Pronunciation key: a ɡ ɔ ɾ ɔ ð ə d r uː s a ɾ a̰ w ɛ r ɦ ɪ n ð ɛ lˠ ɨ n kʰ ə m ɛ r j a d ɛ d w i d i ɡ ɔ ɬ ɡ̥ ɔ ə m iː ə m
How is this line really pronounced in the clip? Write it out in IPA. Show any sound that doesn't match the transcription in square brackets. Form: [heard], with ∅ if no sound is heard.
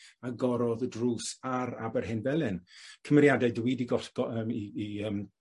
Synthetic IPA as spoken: a ɡ ɔ ɾ ɔ ð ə d r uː s a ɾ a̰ [b] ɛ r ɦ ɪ n [v] ɛ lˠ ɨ n kʰ ə m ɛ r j a d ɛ d w i d i ɡ ɔ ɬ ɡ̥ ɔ ə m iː ə m